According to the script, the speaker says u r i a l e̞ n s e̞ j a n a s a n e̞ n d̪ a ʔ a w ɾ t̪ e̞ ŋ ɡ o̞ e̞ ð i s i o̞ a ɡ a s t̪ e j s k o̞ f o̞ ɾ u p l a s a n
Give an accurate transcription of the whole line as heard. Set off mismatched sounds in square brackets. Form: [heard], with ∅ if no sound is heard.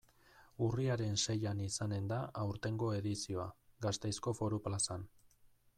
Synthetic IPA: u r i a [ɾ] e̞ n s e̞ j a n [i] s a n e̞ n d̪ a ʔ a w ɾ t̪ e̞ ŋ ɡ o̞ e̞ ð i s i o̞ a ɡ a s t̪ e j s k o̞ f o̞ ɾ u p l a s a n